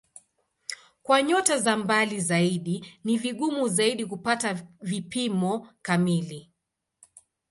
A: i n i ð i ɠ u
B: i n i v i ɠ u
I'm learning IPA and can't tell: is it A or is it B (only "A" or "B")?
B